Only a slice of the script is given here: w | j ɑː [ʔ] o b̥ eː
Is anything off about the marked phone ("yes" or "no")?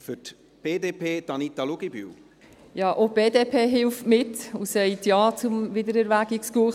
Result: no